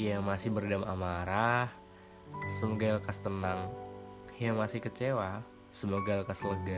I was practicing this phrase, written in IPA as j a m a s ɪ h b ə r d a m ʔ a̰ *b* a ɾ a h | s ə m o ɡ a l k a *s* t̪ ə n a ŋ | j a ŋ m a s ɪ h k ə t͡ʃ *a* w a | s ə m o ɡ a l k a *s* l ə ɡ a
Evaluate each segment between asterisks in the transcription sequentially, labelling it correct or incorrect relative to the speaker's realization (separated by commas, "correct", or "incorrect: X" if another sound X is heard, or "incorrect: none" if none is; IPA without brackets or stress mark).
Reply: incorrect: m, correct, incorrect: e, correct